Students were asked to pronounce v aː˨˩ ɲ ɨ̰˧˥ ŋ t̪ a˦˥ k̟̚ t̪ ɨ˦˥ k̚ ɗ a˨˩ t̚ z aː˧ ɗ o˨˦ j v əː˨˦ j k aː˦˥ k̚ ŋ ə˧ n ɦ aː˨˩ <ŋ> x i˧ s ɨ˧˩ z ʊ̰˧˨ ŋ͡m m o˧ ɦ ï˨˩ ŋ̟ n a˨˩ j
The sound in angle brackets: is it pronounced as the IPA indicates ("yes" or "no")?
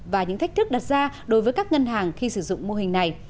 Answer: yes